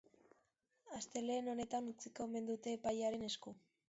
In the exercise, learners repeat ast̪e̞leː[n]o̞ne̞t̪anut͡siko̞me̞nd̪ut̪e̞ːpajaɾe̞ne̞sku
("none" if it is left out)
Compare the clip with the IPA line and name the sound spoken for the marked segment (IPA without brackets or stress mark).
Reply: n